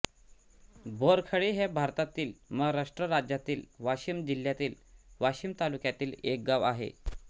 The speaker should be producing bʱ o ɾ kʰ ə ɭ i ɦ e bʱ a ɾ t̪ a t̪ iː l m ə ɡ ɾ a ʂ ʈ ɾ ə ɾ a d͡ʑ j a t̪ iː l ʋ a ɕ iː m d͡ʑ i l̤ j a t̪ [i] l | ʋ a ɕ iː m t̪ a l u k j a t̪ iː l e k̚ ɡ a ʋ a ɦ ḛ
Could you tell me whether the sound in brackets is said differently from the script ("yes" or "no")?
yes